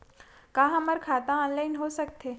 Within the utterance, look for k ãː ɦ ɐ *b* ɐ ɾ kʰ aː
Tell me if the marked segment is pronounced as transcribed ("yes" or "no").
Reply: no